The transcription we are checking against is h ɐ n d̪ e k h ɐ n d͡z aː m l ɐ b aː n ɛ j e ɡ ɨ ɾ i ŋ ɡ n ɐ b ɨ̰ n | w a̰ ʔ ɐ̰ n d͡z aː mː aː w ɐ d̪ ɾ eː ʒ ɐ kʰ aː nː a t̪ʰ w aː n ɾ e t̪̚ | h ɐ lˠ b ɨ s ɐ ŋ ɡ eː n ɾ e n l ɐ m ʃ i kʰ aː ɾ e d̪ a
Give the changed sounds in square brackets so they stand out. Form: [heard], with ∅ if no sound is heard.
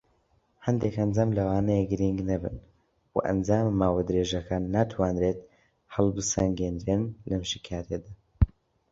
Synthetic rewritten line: h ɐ n d̪ e k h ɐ n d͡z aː m l ɐ [w] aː n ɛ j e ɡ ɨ ɾ i ŋ ɡ n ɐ b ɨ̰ n | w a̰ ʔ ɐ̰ n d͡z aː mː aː w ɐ d̪ ɾ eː ʒ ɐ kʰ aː nː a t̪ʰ w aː n ɾ e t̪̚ | h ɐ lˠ b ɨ s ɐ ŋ ɡ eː n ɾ e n l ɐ m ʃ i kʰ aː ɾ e d̪ a